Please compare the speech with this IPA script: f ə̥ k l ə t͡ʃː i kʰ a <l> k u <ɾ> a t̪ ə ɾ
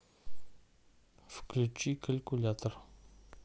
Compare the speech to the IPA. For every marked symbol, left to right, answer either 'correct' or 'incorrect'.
correct, incorrect: l

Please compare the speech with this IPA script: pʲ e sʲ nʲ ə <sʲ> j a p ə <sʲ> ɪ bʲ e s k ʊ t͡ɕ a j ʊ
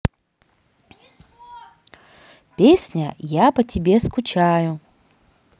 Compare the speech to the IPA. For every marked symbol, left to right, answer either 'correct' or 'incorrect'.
incorrect: none, incorrect: tʲ

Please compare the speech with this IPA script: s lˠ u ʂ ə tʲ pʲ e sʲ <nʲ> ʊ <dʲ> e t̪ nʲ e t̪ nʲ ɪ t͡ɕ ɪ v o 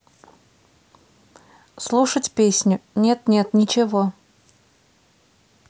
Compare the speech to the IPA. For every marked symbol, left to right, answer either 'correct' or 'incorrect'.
correct, incorrect: nʲ

